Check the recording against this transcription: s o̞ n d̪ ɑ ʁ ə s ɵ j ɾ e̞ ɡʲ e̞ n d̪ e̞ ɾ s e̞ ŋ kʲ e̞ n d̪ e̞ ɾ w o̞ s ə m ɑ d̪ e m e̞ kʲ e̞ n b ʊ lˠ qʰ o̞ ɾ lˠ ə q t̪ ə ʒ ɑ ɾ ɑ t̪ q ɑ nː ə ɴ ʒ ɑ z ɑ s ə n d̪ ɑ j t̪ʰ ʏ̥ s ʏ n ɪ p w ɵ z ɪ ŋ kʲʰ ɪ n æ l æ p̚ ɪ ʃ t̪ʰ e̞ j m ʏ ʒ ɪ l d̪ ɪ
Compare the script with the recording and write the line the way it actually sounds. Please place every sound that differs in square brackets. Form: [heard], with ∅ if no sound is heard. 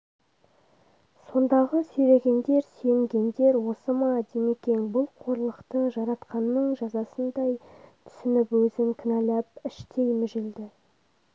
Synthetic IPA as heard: s o̞ n d̪ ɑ ʁ ə s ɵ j ɾ e̞ ɡʲ e̞ n d̪ e̞ ɾ s e̞ ŋ [ɡʲ] e̞ n d̪ e̞ ɾ w o̞ s ə m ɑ d̪ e m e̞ kʲ e̞ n b ʊ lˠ qʰ o̞ ɾ lˠ ə q t̪ ə ʒ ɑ ɾ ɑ t̪ q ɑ nː ə ɴ ʒ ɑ z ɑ s ə n d̪ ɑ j t̪ʰ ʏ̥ s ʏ n ɪ p w ɵ z ɪ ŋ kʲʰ ɪ n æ l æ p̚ ɪ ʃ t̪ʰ e̞ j m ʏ ʒ ɪ l d̪ ɪ

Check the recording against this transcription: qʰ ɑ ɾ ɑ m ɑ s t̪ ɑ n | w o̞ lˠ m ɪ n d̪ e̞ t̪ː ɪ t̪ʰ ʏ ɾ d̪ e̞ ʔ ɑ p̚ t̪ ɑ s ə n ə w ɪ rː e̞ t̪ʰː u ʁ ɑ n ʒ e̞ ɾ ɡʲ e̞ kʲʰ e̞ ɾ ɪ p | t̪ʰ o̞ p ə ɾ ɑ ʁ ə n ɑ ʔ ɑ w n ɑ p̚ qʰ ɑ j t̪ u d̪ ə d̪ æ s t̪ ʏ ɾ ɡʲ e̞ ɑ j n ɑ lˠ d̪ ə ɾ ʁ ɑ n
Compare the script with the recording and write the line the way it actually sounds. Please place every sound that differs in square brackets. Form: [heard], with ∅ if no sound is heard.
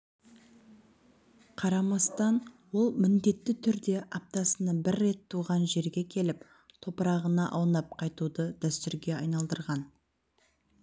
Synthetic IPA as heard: qʰ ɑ ɾ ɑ m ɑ s t̪ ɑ n | w o̞ lˠ m ɪ n d̪ e̞ t̪ː ɪ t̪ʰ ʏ ɾ d̪ e̞ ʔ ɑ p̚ t̪ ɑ s ə n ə [b] ɪ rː e̞ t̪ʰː u ʁ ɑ n ʒ e̞ ɾ ɡʲ e̞ kʲʰ e̞ [l] ɪ p | t̪ʰ o̞ p ə ɾ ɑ ʁ ə n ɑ ʔ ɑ w n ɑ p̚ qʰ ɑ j t̪ u d̪ ə d̪ æ s t̪ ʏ ɾ ɡʲ e̞ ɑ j n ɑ lˠ d̪ ə ɾ ʁ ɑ n

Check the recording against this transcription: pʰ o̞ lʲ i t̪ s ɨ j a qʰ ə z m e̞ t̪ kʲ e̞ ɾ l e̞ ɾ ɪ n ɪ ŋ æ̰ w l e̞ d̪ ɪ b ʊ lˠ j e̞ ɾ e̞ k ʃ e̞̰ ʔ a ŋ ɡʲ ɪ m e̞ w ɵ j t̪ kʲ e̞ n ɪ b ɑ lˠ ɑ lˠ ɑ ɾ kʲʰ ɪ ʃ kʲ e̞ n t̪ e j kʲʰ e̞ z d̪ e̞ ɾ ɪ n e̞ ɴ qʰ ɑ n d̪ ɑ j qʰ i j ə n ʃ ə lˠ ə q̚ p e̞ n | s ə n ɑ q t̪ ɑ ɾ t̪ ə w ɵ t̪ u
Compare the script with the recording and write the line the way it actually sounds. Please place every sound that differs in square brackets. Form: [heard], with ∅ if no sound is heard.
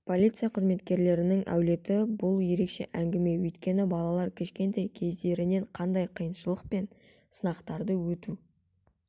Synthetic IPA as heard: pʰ o̞ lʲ i t̪ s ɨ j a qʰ ə z m e̞ t̪ kʲ e̞ ɾ l e̞ ɾ ɪ n ɪ ŋ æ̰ w l e̞ [t̪] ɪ b ʊ lˠ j e̞ ɾ e̞ k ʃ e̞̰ ʔ [æ] ŋ ɡʲ ɪ m e̞ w ɵ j t̪ kʲ e̞ n ɪ b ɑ lˠ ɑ lˠ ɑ ɾ kʲʰ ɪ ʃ kʲ e̞ n t̪ e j kʲʰ e̞ z d̪ e̞ ɾ ɪ n e̞ ɴ qʰ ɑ n d̪ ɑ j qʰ i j ə n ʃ ə lˠ ə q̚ p e̞ n | s ə n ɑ q t̪ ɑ ɾ [d̪] ə w ɵ t̪ u

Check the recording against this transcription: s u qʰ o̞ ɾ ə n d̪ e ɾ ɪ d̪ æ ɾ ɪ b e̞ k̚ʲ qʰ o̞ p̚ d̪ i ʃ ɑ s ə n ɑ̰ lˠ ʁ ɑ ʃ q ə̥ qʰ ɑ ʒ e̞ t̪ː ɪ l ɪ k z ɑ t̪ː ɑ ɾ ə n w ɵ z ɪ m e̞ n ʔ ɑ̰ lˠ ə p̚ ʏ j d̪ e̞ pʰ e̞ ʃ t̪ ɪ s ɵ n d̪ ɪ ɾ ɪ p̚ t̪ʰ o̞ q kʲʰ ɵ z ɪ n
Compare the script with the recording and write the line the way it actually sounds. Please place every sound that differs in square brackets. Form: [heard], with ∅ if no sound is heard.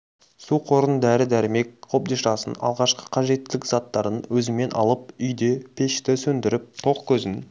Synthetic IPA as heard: s u qʰ o̞ ɾ ə n d̪ [æ] ɾ ɪ d̪ æ ɾ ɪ [m] e̞ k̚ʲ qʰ o̞ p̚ d̪ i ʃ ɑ s ə n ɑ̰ lˠ ʁ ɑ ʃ q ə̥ qʰ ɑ ʒ e̞ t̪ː ɪ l ɪ k z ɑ t̪ː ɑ ɾ ə n w ɵ z ɪ m e̞ n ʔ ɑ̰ lˠ ə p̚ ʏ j d̪ e̞ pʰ e̞ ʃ t̪ ɪ s ɵ n d̪ ɪ ɾ ɪ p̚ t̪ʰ o̞ q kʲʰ ɵ z ɪ n

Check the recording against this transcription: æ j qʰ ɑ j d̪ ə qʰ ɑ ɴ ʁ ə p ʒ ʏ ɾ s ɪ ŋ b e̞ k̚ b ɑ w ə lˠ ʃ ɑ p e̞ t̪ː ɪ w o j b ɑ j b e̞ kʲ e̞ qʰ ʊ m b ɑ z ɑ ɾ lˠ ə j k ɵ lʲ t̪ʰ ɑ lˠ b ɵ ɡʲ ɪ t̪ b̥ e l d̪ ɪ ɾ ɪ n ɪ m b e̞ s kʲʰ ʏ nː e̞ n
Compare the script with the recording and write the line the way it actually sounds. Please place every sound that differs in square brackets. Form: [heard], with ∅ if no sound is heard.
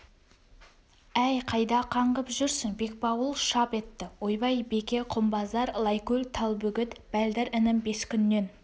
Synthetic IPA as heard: æ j qʰ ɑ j d̪ [ɑ] qʰ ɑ ɴ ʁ ə p ʒ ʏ ɾ s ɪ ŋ b e̞ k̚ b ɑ w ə lˠ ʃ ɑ p e̞ t̪ː ɪ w o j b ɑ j b e̞ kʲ e̞ qʰ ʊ m b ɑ z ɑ ɾ lˠ [ɑ] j k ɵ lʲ t̪ʰ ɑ lˠ b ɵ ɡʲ ɪ t̪ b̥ [æ] l d̪ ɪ ɾ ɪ n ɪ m b e̞ s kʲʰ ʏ nː e̞ n

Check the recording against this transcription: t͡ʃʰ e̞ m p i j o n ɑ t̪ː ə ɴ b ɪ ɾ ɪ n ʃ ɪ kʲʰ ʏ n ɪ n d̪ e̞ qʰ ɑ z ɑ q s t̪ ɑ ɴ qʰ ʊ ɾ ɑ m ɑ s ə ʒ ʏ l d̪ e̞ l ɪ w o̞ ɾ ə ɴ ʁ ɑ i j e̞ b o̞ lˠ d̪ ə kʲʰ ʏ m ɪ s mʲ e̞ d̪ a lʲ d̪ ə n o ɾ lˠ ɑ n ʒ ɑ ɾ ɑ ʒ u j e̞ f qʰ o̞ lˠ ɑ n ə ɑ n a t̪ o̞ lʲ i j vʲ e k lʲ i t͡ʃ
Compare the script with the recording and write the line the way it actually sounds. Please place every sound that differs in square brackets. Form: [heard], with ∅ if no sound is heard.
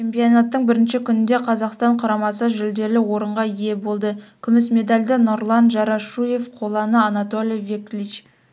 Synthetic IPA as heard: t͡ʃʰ e̞ m p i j o n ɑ t̪ː ə ɴ b ɪ ɾ ɪ n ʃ ɪ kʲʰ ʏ n ɪ n d̪ e̞ qʰ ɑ z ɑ q s t̪ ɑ ɴ qʰ ʊ ɾ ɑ m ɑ s ə ʒ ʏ l d̪ e̞ l ɪ w o̞ ɾ ə ɴ ʁ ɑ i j e̞ b o̞ lˠ d̪ ə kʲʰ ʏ m ɪ s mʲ e̞ d̪ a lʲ d̪ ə n o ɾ lˠ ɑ n ʒ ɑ ɾ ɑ [ʃ] u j e̞ f qʰ o̞ lˠ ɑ n ə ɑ n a t̪ o̞ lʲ i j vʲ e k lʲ i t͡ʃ

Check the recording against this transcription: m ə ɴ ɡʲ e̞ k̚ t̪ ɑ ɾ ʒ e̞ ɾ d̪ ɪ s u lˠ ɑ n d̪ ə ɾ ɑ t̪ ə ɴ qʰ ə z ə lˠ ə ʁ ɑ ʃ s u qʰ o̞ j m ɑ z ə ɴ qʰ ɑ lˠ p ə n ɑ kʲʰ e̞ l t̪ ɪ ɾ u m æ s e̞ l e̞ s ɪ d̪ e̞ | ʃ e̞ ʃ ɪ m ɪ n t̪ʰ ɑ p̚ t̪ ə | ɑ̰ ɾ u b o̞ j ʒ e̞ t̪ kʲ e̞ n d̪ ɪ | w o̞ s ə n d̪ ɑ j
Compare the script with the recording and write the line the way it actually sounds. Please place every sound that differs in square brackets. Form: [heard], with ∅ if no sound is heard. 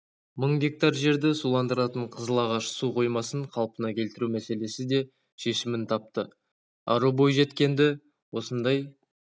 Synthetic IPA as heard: m ə ɴ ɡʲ e̞ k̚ t̪ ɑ ɾ ʒ e̞ ɾ d̪ ɪ s u lˠ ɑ n d̪ ə ɾ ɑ t̪ ə ɴ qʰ ə z ə lˠ [ɑ] ʁ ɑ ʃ s u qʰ o̞ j m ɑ [s] ə ɴ qʰ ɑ lˠ p ə n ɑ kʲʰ e̞ l t̪ ɪ ɾ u m æ s e̞ l e̞ s ɪ d̪ e̞ | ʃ e̞ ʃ ɪ m ɪ n t̪ʰ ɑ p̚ t̪ ə | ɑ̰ ɾ u b o̞ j ʒ e̞ t̪ kʲ e̞ n d̪ ɪ | w o̞ s ə n d̪ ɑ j

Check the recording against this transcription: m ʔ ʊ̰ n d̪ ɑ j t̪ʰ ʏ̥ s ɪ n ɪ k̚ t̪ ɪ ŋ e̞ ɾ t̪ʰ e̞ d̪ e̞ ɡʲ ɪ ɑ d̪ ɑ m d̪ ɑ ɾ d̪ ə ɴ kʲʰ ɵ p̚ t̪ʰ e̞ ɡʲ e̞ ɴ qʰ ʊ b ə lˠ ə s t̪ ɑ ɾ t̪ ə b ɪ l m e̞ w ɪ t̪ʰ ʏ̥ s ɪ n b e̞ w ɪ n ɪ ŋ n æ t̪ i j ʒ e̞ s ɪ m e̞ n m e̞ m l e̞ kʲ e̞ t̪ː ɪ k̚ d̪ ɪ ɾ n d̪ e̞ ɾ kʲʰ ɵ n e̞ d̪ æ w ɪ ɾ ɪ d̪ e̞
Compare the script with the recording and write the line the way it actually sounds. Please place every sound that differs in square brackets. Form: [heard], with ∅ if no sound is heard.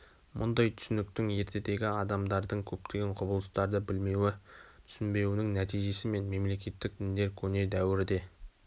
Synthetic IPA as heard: m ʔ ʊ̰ n d̪ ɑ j t̪ʰ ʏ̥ s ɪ n ɪ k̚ t̪ ɪ ŋ e̞ ɾ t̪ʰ e̞ d̪ e̞ ɡʲ ɪ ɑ d̪ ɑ m d̪ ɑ ɾ d̪ ə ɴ kʲʰ ɵ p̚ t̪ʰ e̞ ɡʲ e̞ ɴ qʰ ʊ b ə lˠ ə s t̪ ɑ ɾ [d̪] ə b ɪ l m e̞ w ɪ t̪ʰ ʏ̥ s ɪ n b e̞ w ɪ n ɪ ŋ n æ t̪ i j ʒ e̞ s ɪ m e̞ n m e̞ m l e̞ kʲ e̞ t̪ː ɪ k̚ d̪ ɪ [∅] n d̪ e̞ ɾ kʲʰ ɵ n e̞ d̪ æ w ɪ ɾ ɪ d̪ e̞

